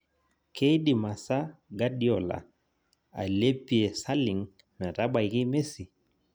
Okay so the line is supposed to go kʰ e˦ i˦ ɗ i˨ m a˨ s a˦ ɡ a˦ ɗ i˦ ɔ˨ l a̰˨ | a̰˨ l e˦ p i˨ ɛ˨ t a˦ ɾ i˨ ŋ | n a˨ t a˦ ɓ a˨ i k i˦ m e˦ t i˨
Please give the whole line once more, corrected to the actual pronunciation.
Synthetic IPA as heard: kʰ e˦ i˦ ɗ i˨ m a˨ s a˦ ɡ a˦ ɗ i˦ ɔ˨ l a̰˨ | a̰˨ l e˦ p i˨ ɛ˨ s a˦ l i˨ ŋ | n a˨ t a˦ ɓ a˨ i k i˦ m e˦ s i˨